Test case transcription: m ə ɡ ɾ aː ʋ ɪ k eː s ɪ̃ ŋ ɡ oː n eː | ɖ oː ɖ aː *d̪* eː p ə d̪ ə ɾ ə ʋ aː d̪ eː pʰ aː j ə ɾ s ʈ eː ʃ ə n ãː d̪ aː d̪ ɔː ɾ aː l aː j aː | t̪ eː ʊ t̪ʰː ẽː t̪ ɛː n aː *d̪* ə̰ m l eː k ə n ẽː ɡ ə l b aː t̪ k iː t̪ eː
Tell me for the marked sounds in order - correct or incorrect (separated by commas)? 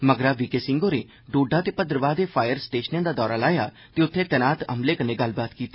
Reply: incorrect, incorrect